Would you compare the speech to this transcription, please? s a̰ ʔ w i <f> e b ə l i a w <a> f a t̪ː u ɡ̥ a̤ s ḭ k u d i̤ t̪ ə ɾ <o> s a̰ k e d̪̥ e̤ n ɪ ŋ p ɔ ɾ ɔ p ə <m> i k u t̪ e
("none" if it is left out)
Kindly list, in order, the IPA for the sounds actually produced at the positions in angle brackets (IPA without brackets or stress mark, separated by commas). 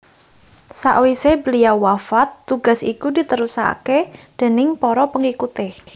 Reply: s, a, u, ŋ